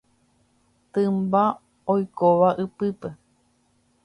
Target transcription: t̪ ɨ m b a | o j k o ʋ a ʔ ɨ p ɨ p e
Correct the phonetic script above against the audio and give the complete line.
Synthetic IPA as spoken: t̪ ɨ m b a | o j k o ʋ a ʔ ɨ p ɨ p e